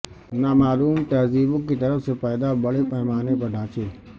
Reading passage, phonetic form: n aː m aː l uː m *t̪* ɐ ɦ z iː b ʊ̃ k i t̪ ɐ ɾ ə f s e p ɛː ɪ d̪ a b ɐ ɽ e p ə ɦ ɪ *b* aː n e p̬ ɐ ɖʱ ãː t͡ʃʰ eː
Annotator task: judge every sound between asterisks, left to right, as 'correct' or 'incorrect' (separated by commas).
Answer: correct, incorrect